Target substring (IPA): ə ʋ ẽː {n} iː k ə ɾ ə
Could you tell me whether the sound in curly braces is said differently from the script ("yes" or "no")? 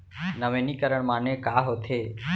no